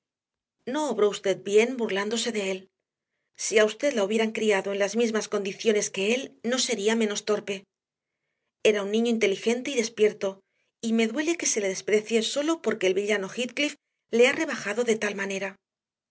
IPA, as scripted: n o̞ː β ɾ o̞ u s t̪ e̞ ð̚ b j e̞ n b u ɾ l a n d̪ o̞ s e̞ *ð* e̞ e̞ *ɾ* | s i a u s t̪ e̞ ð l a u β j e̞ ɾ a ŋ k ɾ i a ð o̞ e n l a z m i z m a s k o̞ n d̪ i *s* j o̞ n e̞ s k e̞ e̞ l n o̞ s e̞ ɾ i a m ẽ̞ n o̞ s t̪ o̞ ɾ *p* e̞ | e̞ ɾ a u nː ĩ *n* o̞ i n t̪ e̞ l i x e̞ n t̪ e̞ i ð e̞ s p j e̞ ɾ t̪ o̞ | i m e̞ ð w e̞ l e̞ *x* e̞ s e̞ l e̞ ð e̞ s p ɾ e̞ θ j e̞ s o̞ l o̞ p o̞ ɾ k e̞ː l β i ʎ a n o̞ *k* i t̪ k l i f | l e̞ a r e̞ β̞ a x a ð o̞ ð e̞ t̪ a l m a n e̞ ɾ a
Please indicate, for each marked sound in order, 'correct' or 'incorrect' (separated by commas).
correct, incorrect, incorrect, correct, incorrect, incorrect, incorrect